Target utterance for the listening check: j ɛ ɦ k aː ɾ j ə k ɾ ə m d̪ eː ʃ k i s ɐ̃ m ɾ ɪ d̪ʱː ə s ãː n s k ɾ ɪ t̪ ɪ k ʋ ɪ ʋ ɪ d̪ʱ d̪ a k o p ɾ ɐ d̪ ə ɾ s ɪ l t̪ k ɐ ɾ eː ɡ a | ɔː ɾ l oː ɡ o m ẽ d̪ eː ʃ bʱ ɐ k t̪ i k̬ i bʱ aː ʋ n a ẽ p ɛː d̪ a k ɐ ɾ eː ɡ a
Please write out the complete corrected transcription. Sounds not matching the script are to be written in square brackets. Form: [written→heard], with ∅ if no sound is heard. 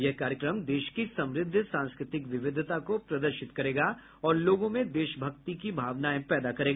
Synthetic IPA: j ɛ ɦ k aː ɾ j ə k ɾ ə m d̪ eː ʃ k i s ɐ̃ m ɾ ɪ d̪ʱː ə s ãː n s k ɾ ɪ t̪ ɪ k ʋ ɪ ʋ ɪ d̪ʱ [d̪→t̪] a k o p ɾ ɐ d̪ ə ɾ [s→ʃ] ɪ [l→∅] t̪ k ɐ ɾ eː ɡ a | ɔː ɾ l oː ɡ [o→õ] m ẽ d̪ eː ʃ bʱ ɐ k t̪ i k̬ i bʱ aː ʋ n a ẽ p ɛː d̪ a k ɐ ɾ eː ɡ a